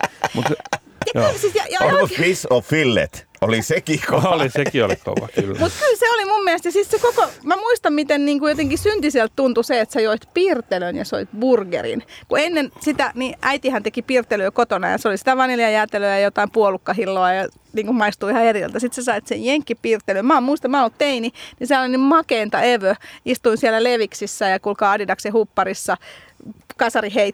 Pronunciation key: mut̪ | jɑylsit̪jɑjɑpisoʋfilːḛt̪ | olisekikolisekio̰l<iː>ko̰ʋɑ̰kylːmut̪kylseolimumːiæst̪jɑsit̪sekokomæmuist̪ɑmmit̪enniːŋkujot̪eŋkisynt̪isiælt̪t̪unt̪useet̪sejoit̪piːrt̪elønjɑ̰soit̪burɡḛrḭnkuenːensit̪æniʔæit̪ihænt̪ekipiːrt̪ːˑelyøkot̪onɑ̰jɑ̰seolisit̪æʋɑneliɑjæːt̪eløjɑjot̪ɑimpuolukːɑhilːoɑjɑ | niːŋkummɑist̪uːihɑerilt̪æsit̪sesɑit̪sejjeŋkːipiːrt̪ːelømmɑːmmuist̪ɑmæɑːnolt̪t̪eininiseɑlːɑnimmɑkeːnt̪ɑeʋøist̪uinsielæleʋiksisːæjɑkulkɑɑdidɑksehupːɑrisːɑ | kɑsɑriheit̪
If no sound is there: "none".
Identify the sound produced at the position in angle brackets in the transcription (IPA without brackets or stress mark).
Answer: i